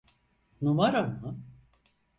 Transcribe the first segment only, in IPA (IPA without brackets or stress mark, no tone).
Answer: n